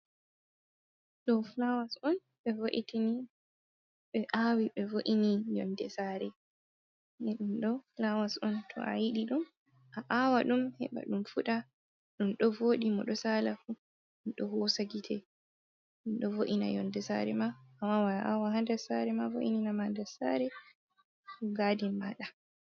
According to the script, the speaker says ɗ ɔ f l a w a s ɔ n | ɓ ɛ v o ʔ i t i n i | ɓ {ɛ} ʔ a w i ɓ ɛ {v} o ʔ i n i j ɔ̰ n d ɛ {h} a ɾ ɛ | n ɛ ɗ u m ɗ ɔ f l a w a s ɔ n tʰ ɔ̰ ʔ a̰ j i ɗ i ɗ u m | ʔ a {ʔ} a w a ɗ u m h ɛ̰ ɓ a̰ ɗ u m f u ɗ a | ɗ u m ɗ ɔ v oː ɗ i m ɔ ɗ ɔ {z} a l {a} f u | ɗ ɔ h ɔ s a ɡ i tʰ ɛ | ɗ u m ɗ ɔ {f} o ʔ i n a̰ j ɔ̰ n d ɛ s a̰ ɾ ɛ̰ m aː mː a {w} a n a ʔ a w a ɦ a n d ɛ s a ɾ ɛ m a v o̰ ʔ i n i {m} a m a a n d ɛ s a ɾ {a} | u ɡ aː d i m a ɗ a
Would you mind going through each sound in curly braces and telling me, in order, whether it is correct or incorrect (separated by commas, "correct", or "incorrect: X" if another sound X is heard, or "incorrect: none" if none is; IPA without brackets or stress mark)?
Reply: correct, correct, incorrect: s, correct, incorrect: s, correct, incorrect: v, correct, incorrect: n, incorrect: ɛ